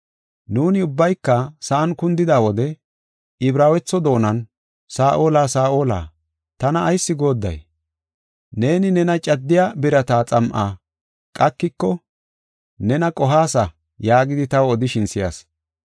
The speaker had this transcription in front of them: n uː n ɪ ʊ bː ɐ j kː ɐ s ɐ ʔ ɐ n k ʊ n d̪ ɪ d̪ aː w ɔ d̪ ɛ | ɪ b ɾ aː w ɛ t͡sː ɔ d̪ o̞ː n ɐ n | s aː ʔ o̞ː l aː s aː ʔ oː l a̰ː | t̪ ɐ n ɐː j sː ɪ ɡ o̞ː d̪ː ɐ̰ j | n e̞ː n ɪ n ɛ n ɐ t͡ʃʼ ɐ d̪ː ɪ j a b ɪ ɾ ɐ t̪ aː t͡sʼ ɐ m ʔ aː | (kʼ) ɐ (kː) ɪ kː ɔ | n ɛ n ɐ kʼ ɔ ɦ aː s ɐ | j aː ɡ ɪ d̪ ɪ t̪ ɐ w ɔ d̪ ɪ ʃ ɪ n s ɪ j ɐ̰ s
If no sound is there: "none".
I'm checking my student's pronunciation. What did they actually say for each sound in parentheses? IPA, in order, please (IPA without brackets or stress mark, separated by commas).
kʼ, kː